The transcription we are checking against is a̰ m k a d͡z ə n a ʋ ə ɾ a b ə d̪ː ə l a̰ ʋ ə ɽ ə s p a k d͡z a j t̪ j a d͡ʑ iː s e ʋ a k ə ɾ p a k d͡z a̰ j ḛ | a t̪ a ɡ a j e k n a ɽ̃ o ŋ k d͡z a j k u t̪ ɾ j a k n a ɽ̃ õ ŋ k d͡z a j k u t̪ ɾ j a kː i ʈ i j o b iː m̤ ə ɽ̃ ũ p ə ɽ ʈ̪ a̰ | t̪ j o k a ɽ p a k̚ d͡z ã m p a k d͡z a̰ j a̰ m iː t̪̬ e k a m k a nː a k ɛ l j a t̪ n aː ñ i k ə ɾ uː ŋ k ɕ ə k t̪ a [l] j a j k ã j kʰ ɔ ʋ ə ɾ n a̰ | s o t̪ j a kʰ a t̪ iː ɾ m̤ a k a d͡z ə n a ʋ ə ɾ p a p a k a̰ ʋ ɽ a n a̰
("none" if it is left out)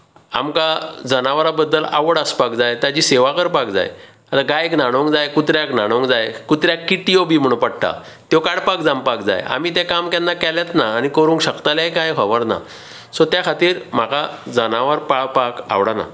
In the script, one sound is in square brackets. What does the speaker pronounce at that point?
l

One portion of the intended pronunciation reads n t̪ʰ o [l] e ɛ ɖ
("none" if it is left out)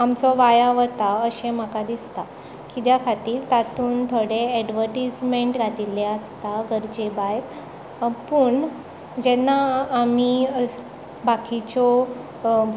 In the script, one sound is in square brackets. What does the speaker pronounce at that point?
ɽ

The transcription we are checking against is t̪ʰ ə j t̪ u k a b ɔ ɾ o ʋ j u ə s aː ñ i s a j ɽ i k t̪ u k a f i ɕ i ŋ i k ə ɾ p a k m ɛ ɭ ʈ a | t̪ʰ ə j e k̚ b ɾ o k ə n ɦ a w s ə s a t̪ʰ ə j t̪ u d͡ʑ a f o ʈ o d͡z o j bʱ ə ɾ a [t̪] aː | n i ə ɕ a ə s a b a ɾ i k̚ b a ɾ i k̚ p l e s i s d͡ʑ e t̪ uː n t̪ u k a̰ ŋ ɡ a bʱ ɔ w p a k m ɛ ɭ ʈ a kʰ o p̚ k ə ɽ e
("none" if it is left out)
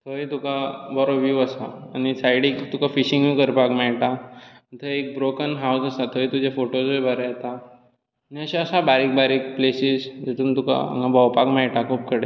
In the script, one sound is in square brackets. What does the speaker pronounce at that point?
t̪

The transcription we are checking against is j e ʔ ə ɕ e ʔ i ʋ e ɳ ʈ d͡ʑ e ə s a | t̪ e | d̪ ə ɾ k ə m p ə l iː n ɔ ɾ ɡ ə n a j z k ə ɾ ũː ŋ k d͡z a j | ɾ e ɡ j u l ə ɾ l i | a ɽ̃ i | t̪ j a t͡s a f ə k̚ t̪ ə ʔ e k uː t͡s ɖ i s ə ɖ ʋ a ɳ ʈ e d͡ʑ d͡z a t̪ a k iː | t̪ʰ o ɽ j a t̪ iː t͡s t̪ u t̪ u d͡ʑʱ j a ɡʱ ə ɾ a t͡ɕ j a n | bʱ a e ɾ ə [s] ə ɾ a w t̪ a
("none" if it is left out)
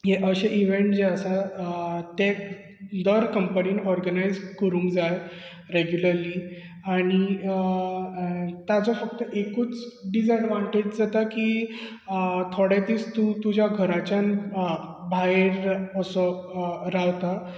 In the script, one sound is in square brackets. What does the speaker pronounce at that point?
s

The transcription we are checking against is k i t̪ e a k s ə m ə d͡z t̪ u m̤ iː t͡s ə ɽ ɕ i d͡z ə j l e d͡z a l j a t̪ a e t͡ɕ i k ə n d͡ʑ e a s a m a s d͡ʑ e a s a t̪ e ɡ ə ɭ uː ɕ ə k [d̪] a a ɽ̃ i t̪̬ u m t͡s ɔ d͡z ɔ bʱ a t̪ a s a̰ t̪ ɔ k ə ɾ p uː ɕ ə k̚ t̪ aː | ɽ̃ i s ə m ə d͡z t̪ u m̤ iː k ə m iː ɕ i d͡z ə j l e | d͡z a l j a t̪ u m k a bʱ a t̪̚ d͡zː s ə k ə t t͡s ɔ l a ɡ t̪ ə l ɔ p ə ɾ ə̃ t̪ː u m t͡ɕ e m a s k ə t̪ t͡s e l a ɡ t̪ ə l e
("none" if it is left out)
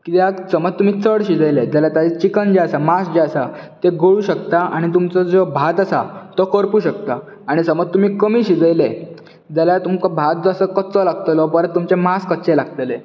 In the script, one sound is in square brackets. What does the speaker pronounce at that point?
t̪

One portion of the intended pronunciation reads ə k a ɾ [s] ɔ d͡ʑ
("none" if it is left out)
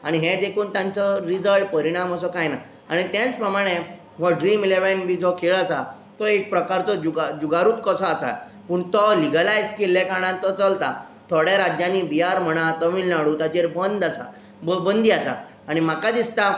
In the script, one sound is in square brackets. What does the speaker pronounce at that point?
t͡s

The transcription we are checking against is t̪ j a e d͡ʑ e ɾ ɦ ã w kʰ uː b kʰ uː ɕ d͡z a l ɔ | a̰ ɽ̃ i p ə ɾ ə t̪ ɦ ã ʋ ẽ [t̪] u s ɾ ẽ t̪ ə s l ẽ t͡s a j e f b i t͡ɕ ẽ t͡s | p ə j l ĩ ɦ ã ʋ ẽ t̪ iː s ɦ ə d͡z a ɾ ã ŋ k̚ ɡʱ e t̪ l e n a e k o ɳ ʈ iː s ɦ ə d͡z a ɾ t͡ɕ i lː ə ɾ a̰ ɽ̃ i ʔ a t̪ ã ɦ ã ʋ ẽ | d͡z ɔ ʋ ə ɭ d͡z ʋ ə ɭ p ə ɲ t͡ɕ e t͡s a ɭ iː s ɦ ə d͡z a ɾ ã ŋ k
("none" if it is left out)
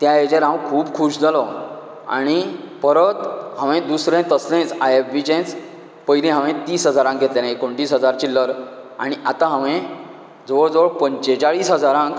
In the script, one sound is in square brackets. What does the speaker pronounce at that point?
d̪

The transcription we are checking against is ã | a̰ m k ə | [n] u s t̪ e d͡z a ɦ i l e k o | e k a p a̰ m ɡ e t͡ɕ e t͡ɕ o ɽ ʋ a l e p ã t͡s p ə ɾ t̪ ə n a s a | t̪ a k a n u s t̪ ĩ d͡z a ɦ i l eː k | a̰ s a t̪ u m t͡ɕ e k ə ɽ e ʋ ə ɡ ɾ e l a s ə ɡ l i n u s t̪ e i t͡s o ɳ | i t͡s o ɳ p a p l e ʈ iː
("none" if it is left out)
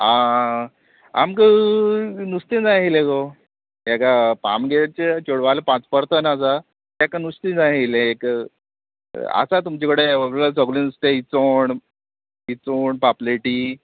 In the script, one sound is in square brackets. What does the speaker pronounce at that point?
n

